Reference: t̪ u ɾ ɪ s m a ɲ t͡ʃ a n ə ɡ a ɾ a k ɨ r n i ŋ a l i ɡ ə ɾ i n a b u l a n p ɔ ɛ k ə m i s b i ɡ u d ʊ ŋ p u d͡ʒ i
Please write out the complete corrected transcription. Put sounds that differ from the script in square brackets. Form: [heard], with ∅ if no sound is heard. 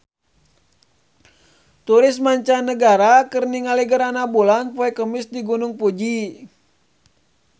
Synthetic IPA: t̪ u ɾ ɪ s m a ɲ t͡ʃ a n ə ɡ a ɾ a k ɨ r n i ŋ a l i ɡ ə ɾ [a] n a b u l a n p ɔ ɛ k ə m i s [d] i ɡ u [n] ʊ ŋ p u d͡ʒ i